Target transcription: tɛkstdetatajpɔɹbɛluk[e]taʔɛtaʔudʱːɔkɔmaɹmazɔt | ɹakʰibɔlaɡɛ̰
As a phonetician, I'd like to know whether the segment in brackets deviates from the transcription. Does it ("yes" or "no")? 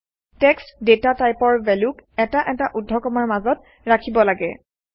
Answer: yes